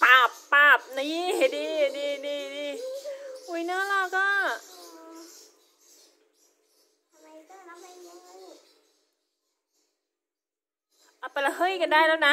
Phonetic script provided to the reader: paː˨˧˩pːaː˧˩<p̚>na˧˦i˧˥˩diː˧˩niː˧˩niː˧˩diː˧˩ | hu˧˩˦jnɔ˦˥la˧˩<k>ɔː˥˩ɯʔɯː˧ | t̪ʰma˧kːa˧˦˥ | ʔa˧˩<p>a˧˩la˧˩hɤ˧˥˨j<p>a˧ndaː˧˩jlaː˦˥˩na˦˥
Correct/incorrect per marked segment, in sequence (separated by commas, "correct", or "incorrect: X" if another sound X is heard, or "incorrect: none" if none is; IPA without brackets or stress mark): correct, correct, correct, incorrect: k